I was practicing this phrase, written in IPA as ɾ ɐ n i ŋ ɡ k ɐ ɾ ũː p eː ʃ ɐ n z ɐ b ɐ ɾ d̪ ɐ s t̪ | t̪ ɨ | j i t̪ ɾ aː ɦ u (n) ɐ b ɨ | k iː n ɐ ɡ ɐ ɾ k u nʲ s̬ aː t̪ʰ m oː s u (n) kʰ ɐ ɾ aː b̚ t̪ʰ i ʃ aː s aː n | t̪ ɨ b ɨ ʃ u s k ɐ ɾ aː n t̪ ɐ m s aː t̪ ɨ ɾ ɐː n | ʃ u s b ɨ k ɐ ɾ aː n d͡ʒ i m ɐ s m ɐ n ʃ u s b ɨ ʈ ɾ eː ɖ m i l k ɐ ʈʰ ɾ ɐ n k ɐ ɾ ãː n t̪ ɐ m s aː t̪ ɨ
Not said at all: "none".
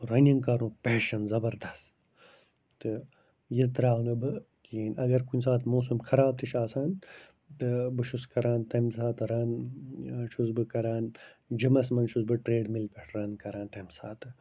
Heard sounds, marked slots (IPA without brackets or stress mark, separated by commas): n, m